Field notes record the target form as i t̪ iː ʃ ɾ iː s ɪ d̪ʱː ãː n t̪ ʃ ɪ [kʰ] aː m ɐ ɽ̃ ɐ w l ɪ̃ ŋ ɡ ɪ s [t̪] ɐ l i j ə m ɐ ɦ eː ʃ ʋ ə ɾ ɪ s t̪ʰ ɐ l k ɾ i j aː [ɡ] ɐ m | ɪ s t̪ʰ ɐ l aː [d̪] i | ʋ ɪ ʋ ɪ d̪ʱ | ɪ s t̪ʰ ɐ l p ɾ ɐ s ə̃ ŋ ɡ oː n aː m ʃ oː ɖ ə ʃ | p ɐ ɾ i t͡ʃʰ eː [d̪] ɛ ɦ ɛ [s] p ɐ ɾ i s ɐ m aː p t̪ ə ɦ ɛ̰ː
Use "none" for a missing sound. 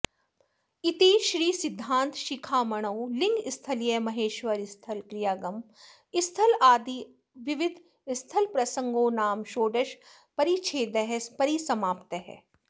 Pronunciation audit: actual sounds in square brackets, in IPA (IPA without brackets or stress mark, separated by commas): kʰ, t̪ʰ, ɡ, d̪, d̪, s